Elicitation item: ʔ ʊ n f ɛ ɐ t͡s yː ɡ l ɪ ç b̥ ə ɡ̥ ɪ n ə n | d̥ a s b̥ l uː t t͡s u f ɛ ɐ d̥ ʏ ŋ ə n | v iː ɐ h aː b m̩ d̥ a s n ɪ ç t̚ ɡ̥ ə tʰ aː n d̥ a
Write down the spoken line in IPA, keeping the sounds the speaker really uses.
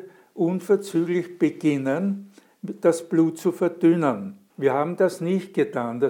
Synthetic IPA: ʔ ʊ n f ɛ ɐ t͡s yː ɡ l ɪ ç b̥ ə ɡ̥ ɪ n ə n | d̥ a s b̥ l uː t t͡s u f ɛ ɐ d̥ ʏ n ə n | v iː ɐ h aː b m̩ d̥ a s n ɪ ç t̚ ɡ̥ ə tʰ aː n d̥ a